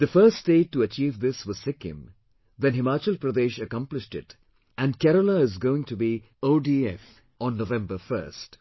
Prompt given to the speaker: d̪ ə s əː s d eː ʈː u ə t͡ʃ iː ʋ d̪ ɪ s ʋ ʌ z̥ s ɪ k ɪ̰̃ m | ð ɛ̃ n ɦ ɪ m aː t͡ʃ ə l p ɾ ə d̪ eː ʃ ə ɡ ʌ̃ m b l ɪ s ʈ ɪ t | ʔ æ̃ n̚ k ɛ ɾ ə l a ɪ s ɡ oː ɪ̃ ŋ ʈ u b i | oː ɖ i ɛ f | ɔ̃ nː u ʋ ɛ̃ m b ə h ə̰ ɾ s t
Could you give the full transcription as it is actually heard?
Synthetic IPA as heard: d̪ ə f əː s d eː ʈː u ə t͡ʃ iː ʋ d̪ ɪ s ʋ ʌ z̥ s ɪ k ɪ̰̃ m | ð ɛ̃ n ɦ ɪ m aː t͡ʃ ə l p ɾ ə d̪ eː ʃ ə k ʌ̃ m p l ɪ ʃ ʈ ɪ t | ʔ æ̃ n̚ k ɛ ɾ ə l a ɪ z ɡ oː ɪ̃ ŋ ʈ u b i | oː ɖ i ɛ f | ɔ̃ nː o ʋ ɛ̃ m b ə f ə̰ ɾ s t